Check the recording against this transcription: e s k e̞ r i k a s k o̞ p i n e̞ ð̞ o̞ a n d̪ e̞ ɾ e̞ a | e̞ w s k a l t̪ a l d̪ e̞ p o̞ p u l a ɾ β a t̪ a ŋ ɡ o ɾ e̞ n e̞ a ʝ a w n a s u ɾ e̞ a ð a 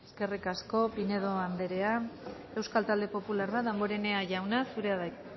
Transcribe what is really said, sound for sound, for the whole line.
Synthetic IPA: e s k e̞ r i k a s k o̞ p i n e̞ ð̞ o̞ a n d̪ e̞ ɾ e̞ a | e̞ w s k a l t̪ a l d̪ e̞ p o̞ p u l a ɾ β a t̪ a ŋ ɡ o ɾ e̞ n e̞ a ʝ a w n a s u ɾ e̞ a ð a